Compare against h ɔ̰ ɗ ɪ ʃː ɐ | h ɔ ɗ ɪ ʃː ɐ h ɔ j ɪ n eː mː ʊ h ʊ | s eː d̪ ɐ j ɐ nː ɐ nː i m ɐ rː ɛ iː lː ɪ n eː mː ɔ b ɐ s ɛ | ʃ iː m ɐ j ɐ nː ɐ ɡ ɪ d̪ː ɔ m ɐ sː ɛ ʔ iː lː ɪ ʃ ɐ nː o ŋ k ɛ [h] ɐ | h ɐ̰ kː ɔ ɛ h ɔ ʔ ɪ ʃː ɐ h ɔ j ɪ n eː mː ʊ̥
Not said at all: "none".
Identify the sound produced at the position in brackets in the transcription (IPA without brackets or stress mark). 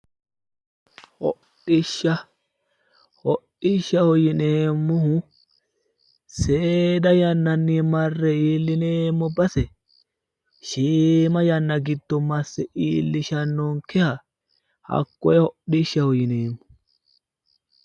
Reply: h